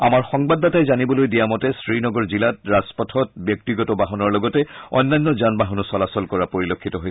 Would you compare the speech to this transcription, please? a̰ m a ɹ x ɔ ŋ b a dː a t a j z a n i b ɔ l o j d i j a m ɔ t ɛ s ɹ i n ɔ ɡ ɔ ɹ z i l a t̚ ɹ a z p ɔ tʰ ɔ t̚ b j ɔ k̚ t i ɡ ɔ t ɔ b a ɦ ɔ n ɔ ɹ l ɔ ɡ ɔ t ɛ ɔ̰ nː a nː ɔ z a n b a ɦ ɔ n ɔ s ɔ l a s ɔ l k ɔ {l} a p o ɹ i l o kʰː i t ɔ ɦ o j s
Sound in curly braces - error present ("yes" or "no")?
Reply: yes